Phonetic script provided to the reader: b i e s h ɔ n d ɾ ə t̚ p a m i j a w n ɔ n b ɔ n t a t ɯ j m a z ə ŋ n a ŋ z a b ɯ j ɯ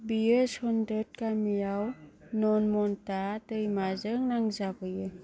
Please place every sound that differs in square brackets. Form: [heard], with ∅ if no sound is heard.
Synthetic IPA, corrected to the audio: b i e s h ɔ n d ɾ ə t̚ [k] a m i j a w n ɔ n [m] ɔ n t a t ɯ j m a z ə ŋ n a ŋ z a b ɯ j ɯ